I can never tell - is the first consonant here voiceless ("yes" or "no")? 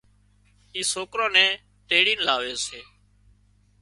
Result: yes